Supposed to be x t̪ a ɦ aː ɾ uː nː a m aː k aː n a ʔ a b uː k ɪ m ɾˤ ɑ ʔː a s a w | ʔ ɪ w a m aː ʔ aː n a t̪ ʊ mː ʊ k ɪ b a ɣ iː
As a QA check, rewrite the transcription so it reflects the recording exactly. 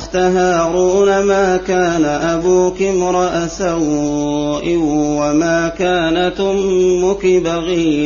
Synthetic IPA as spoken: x t̪ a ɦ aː ɾ uː n a m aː k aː n a ʔ a b uː k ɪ m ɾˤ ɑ ʔ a s a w | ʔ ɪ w a m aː k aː n a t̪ ʊ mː ʊ k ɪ b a ɣ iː